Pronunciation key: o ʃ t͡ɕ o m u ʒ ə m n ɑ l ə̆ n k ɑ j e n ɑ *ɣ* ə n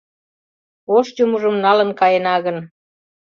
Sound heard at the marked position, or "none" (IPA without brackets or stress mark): ɣ